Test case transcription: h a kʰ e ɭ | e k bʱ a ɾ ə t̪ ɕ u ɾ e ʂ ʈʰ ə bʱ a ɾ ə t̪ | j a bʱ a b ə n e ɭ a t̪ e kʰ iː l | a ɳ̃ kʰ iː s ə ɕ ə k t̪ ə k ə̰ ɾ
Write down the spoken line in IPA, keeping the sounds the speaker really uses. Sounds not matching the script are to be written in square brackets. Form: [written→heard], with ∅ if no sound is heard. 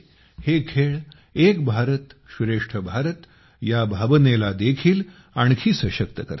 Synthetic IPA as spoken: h [a→e] kʰ e ɭ | e k bʱ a ɾ ə t̪ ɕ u ɾ e ʂ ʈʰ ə bʱ a ɾ ə t̪ | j a bʱ a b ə n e [ɭ→l] a [t̪→d̪] e kʰ iː l | a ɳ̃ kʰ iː s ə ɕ ə k t̪ ə k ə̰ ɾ